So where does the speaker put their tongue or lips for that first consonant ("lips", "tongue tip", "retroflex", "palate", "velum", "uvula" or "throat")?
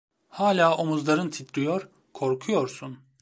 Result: throat